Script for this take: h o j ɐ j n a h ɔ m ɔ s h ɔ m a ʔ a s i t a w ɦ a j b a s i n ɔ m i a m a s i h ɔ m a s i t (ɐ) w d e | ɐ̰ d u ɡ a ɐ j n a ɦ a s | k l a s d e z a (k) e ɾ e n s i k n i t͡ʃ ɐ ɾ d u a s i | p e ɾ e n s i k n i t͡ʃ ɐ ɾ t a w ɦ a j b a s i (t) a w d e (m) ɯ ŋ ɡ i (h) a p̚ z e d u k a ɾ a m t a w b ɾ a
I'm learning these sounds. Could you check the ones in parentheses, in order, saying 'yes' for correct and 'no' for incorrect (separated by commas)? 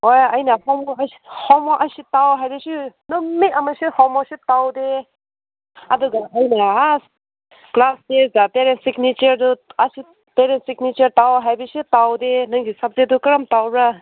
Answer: no, no, yes, no, no